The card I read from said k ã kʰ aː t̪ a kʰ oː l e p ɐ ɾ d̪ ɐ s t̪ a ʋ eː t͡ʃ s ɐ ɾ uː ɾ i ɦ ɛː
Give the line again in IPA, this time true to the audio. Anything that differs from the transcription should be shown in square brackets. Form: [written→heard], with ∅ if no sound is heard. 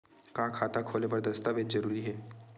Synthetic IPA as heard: k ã kʰ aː t̪ a kʰ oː l e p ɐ ɾ d̪ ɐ s t̪ a ʋ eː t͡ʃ [s→z] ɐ ɾ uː ɾ i ɦ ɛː